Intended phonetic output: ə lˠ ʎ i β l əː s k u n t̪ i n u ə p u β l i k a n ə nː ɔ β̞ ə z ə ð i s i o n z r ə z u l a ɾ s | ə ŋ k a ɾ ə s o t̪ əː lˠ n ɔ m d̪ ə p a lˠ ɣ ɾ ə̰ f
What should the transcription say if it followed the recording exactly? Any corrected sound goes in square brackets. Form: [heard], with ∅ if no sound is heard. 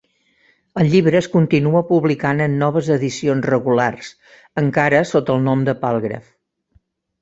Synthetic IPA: ə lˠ ʎ i β [ɾ] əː s k u n t̪ i n u ə p u β l i k a n ə nː ɔ β̞ ə z ə ð i s i o n z r ə [ɣ] u l a [r] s | ə ŋ k a ɾ ə s o t̪ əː lˠ n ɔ m d̪ ə p a lˠ ɣ ɾ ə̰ f